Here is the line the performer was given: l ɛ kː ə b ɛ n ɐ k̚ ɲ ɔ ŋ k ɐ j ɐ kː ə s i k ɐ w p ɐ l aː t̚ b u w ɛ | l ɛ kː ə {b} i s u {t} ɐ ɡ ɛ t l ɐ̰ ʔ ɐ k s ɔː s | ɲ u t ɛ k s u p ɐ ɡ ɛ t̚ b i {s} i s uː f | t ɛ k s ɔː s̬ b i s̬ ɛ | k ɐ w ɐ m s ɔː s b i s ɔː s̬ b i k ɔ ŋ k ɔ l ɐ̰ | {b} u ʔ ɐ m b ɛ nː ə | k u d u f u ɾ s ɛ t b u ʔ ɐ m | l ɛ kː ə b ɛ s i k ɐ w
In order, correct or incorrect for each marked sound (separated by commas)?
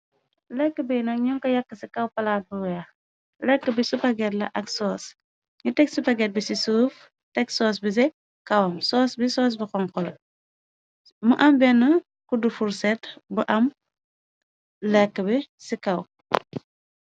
correct, incorrect, correct, incorrect